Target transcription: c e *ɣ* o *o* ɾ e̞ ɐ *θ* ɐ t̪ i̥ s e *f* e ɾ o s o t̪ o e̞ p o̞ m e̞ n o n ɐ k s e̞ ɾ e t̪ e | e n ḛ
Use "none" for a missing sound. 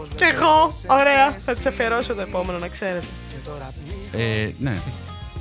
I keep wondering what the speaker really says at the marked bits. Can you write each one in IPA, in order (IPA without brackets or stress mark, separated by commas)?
ɣ, o, θ, f